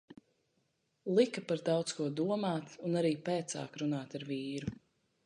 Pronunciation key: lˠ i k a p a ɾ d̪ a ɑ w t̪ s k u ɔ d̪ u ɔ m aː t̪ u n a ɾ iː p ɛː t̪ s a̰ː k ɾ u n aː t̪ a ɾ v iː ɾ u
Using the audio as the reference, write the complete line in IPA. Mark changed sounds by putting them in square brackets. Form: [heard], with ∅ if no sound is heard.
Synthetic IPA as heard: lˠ i k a p a ɾ d̪ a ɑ w t̪ s k u ɔ d̪ u ɔ m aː t̪ u n a ɾ iː p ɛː t̪ s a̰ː k ɾ u n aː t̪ a ɾ v iː ɾ u